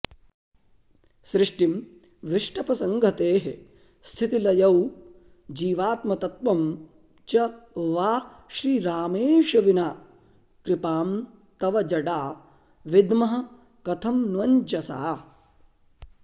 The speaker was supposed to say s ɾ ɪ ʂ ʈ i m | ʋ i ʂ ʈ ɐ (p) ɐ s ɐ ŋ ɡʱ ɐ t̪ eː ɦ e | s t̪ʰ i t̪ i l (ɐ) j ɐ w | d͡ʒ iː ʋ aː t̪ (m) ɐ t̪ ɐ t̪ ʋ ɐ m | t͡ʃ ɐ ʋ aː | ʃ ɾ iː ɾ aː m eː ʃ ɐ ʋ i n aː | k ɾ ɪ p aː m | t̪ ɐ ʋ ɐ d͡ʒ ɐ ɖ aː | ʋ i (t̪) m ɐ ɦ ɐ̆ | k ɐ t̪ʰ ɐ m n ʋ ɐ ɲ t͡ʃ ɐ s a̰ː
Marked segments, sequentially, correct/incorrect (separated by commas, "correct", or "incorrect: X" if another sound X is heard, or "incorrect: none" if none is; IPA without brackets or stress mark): correct, correct, correct, incorrect: d̪